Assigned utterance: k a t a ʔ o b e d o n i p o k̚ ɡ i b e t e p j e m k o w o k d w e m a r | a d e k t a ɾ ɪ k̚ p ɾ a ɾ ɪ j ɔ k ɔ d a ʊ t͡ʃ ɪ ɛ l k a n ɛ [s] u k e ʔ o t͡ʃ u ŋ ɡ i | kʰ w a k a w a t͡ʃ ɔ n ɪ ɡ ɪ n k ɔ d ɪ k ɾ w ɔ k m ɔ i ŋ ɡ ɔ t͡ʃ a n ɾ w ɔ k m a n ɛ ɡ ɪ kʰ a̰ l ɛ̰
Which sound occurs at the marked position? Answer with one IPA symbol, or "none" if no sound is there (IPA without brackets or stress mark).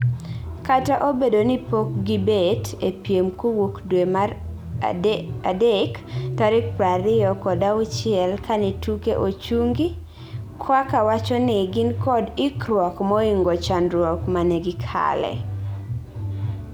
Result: t